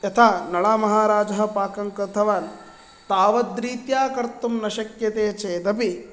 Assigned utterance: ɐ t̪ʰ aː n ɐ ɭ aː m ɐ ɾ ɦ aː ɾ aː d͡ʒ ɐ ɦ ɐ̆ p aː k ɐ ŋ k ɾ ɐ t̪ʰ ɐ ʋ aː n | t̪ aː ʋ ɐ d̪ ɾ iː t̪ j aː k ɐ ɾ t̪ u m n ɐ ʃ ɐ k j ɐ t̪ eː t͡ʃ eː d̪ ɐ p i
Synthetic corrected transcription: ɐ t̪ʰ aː n ɐ ɭ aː m ɐ ɦ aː ɾ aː d͡ʒ ɐ ɦ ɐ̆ p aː k ɐ ŋ k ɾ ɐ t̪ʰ ɐ ʋ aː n | t̪ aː ʋ ɐ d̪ ɾ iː t̪ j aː k ɐ ɾ t̪ u m n ɐ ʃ ɐ k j ɐ t̪ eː t͡ʃ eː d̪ ɐ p i